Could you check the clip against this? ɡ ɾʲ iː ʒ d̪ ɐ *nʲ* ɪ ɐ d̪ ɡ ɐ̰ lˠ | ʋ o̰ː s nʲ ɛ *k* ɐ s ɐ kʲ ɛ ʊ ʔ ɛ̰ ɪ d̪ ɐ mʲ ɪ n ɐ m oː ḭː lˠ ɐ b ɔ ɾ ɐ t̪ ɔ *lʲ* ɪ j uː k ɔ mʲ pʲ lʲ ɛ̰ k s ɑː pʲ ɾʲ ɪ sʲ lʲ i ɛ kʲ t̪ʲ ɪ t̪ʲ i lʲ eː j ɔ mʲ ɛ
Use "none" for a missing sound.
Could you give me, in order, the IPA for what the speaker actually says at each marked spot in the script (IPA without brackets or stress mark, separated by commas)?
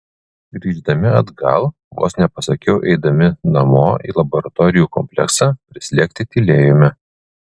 mʲ, p, ɾʲ